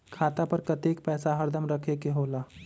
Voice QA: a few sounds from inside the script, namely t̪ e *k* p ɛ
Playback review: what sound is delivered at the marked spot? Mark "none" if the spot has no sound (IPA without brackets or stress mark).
k